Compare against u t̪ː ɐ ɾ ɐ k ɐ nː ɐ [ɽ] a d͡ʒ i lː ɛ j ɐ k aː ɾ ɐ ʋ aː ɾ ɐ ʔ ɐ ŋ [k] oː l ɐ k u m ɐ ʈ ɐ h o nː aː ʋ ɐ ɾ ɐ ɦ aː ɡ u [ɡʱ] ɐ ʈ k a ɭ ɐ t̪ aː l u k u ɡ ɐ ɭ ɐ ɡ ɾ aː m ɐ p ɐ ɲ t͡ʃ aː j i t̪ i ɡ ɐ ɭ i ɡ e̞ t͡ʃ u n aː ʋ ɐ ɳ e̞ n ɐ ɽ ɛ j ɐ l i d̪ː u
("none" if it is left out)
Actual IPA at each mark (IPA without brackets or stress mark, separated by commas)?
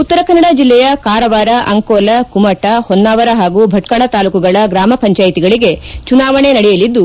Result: ɽ, k, bʱ